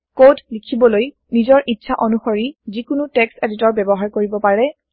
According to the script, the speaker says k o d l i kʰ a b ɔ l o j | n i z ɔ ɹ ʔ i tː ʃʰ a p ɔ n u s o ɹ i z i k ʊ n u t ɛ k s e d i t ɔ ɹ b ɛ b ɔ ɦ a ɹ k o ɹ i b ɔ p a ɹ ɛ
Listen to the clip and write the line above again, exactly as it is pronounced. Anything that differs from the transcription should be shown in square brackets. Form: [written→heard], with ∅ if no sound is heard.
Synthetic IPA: k o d l i kʰ [a→i] b ɔ l o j | n i z ɔ ɹ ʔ i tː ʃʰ a [p→ʔ] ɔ n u [s→x] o ɹ i z i k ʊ n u t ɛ k s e d i t ɔ ɹ b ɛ b ɔ ɦ a ɹ k o ɹ i b ɔ p a ɹ ɛ